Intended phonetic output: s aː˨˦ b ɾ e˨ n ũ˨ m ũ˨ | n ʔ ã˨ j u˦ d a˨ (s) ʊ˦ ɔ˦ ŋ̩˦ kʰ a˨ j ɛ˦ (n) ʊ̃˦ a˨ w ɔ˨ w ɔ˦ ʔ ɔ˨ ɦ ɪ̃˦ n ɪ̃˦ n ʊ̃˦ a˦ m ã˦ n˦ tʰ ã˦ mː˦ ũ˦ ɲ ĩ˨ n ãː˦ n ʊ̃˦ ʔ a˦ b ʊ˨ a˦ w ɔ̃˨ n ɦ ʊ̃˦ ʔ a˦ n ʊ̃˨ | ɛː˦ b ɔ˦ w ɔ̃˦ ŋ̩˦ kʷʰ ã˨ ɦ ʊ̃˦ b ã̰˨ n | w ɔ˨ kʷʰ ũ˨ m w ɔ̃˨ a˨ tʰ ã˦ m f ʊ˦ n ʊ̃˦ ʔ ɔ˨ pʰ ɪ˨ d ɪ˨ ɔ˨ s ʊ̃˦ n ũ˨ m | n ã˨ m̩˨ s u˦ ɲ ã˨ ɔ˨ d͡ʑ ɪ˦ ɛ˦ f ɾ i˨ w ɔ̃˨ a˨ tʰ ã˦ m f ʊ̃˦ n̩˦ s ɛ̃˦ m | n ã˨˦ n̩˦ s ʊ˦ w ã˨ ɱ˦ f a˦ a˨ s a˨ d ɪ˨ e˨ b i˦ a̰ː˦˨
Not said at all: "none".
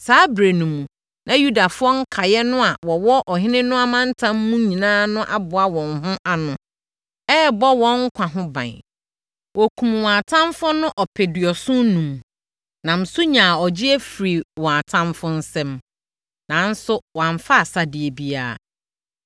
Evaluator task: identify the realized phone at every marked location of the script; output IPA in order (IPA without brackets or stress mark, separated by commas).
f, n